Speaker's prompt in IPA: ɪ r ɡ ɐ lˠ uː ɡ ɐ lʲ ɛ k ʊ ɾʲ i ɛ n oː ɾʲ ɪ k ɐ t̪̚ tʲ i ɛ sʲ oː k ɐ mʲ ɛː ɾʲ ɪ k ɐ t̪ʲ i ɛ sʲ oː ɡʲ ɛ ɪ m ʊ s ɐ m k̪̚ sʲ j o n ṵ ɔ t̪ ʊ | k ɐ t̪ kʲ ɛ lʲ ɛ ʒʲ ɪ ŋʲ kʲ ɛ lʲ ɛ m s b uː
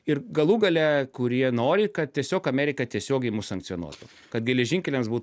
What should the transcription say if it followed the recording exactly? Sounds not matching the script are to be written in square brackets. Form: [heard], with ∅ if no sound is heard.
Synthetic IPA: ɪ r ɡ ɐ lˠ uː ɡ ɐ lʲ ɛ k ʊ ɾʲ i ɛ n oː ɾʲ ɪ k ɐ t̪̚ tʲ i ɛ sʲ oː k ɐ mʲ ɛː ɾʲ ɪ k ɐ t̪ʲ i ɛ sʲ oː ɡʲ ɛ ɪ m ʊ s ɐ [ŋ] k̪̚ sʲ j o n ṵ ɔ t̪ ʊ | k ɐ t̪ [ɡʲ] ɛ lʲ ɛ ʒʲ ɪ ŋʲ kʲ ɛ lʲ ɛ m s b uː